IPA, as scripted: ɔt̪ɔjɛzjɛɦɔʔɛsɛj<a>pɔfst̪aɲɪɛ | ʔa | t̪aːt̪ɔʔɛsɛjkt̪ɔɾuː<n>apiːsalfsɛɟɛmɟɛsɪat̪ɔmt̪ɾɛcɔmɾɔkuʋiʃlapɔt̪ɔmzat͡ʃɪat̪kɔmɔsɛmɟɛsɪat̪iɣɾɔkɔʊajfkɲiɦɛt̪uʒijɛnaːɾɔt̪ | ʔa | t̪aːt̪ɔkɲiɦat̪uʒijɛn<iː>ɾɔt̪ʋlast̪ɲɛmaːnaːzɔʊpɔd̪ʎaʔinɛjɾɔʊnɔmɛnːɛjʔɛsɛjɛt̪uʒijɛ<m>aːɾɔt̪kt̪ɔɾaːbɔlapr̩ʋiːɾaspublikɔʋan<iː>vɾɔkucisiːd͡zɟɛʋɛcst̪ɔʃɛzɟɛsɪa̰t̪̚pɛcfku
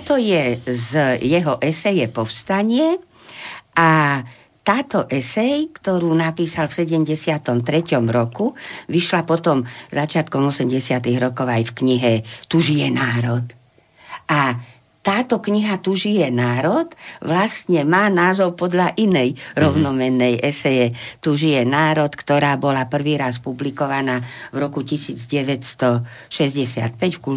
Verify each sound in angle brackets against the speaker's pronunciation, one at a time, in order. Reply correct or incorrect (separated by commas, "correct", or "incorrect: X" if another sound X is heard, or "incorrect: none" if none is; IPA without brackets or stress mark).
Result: incorrect: ɛ, correct, incorrect: aː, incorrect: n, incorrect: aː